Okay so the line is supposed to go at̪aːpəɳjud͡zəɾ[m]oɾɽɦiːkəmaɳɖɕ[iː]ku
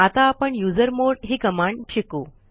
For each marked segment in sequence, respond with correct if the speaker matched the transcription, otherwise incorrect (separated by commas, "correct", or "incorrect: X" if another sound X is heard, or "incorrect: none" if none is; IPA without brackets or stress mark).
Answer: correct, incorrect: i